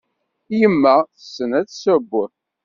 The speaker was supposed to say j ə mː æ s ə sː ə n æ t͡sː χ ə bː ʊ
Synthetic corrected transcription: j ə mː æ θ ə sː ə n æ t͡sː s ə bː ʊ

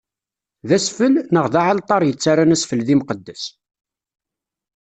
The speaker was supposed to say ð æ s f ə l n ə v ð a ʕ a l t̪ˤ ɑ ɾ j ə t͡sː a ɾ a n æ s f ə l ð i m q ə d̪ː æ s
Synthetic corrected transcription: ð æ s f ə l n ə ʁ ð a ʕ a l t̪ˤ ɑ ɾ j ə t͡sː a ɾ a n æ s f ə l ð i m q ə d̪ː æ s

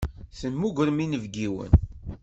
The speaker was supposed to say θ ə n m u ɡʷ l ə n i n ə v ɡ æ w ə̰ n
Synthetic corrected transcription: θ ə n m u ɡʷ ɾ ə m i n ə v ɡ i w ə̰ n

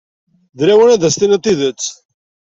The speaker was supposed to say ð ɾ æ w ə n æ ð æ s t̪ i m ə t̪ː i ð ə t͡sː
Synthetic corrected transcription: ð ɾ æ w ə n æ ð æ s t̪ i n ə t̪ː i ð ə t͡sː

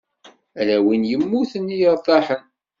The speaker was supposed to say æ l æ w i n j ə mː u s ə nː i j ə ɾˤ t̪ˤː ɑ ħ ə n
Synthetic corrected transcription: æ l æ w i n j ə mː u θ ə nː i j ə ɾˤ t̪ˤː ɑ ħ ə n

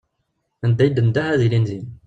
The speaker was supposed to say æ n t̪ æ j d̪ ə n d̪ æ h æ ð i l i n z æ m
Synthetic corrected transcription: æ n d̪ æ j d̪ ə n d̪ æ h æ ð i l i n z i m

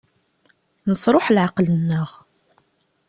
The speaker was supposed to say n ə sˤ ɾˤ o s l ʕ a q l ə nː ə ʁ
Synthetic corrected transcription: n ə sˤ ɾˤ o ħ l ʕ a q l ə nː ə ʁ

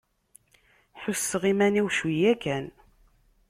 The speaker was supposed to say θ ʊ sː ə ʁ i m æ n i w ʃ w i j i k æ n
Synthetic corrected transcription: ħ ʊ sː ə ʁ i m æ n i w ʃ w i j æ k æ n

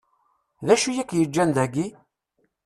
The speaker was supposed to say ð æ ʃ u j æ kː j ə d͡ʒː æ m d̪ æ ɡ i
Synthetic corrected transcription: ð æ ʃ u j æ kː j ə d͡ʒː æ n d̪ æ ɡ i

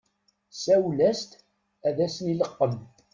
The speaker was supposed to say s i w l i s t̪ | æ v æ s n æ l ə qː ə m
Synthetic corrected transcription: s æ w l æ s t̪ | æ ð æ s n i l ə qː ə m

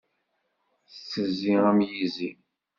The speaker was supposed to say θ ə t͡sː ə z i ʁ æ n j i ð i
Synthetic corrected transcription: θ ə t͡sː ə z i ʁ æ m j i z i

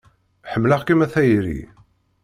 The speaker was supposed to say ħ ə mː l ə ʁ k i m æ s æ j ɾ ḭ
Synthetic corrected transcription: ħ ə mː l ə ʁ k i m æ θ æ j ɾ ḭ

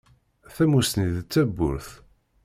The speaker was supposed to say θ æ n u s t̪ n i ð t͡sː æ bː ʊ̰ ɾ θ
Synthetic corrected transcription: θ æ m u s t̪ n i ð t͡sː æ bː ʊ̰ ɾ θ

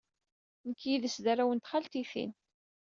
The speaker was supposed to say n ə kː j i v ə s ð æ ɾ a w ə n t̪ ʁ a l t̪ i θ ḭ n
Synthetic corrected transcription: n ə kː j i ð ə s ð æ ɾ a w ə n t̪ χ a l t̪ i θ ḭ n

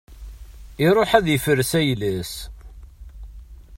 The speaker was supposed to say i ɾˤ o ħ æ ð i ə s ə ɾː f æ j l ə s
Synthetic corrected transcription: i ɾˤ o ħ æ ð j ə f ə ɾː s æ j l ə s

